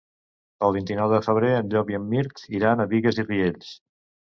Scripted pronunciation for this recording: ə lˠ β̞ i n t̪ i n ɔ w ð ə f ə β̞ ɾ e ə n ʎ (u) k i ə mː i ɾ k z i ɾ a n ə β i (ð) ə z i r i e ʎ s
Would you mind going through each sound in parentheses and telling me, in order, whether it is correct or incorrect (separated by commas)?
incorrect, incorrect